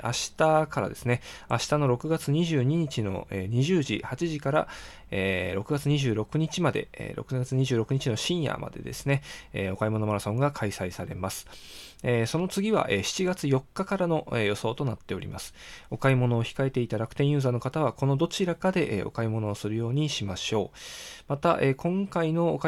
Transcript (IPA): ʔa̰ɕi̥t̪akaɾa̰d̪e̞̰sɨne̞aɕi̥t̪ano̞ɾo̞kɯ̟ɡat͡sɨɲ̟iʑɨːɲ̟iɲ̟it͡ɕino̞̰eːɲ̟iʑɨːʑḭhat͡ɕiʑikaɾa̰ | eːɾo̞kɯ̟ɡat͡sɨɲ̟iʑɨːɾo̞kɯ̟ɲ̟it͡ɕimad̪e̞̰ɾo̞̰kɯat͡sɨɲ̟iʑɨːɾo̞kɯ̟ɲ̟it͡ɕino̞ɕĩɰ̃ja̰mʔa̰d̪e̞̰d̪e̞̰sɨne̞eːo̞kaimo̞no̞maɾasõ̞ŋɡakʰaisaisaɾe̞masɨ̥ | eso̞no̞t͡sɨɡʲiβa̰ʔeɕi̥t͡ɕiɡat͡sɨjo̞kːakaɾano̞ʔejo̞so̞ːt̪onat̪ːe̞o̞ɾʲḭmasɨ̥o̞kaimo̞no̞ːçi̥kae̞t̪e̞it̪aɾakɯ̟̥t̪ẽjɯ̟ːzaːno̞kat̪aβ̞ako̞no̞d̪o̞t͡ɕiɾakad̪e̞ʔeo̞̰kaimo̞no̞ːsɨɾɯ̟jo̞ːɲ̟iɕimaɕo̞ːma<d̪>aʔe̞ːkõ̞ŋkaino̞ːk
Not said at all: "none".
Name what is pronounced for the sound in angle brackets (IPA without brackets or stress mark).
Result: t̪